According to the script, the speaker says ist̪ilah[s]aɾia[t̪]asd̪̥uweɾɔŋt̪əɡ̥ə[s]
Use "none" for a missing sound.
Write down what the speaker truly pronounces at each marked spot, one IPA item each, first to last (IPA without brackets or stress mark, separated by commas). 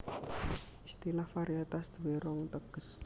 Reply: f, t̪, s